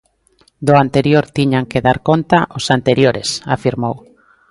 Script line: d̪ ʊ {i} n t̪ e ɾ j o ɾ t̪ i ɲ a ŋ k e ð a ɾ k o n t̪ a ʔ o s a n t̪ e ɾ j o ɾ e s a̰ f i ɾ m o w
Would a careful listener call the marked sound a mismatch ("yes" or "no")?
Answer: yes